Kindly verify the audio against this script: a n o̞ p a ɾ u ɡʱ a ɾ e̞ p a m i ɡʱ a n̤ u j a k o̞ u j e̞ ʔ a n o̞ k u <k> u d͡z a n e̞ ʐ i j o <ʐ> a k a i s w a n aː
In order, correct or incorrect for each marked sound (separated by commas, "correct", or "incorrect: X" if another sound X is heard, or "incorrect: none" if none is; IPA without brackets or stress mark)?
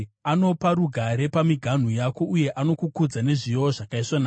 correct, correct